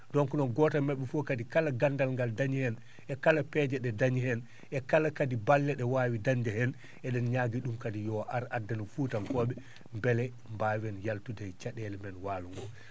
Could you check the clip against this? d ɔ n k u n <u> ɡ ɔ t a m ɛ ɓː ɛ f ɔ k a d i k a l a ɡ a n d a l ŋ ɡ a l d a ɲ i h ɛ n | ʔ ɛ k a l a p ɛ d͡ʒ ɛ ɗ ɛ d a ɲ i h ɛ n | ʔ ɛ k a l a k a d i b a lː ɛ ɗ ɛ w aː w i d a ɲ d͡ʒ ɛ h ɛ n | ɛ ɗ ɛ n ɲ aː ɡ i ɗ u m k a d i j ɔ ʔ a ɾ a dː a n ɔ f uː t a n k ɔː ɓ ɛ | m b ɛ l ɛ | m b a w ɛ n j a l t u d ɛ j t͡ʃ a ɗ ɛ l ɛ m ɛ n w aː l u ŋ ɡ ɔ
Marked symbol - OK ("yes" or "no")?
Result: no